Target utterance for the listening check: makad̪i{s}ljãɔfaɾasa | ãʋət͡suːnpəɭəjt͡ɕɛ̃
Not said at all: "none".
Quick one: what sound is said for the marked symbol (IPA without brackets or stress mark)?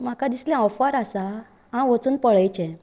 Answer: s